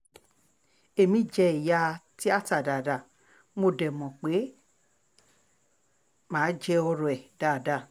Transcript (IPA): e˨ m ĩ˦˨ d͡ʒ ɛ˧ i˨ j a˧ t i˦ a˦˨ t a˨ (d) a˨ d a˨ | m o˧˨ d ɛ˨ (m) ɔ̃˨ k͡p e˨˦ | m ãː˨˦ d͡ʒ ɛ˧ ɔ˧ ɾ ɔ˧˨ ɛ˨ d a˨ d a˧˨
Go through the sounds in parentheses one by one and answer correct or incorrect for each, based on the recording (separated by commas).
correct, correct